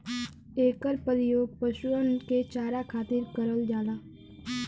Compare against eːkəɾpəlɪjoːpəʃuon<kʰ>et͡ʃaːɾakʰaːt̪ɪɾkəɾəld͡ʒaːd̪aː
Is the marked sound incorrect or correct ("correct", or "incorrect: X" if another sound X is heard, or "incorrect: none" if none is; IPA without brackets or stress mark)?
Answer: incorrect: k